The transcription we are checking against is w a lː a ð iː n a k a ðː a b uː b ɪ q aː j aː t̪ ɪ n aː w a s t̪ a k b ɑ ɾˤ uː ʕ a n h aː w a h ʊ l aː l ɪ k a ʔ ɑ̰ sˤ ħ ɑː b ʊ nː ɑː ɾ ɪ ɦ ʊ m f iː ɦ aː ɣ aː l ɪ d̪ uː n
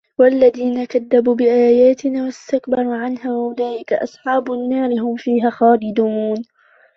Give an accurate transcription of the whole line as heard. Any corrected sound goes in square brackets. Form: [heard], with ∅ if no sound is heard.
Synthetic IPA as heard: w a lː a ð iː n a k a ðː a b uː b ɪ [ʔ] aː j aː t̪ ɪ n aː w a s t̪ a k b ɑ ɾˤ uː ʕ a n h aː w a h ʊ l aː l ɪ k a ʔ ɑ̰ sˤ ħ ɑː b ʊ nː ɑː ɾ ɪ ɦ ʊ m f iː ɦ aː [x] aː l ɪ d̪ uː n